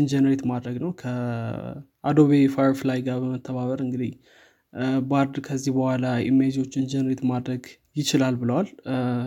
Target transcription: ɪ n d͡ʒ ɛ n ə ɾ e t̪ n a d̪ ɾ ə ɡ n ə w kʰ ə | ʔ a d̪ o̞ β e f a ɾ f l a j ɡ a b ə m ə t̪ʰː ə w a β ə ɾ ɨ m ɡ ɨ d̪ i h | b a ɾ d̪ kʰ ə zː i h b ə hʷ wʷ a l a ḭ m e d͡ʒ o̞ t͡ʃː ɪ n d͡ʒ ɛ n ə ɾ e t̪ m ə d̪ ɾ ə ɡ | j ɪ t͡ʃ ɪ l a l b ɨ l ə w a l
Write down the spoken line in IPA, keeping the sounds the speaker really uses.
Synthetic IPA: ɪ n d͡ʒ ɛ n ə ɾ e t̪ m a d̪ ɾ ə ɡ n ə w kʰ ə | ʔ a d̪ o̞ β e f a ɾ f l a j ɡ a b ə m ə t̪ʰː ə β a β ə ɾ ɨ ŋ ɡ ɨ d̪ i h | b a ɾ d̪ kʰ ə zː i h b ə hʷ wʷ a l a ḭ m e d͡ʒ o̞ t͡ʃː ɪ n d͡ʒ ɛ n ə ɾ e t̪ m a d̪ ɾ ə ɡ | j ɪ t͡ʃ ɪ l a l b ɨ l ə w a l